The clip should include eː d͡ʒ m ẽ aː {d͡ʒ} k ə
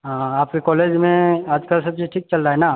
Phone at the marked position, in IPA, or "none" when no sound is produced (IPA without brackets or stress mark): d͡ʒ